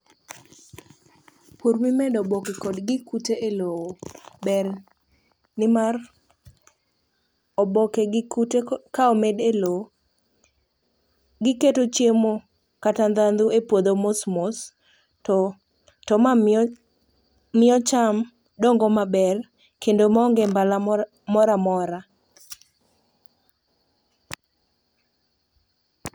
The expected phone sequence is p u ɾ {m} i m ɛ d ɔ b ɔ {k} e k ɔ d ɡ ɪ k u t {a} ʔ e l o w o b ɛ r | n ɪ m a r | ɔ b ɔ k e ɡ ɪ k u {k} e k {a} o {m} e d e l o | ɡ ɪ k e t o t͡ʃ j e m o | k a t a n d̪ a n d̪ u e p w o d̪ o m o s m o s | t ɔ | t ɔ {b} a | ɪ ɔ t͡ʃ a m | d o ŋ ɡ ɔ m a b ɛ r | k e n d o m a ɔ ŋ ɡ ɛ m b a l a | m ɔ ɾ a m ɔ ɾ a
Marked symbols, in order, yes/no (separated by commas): yes, yes, no, no, yes, yes, no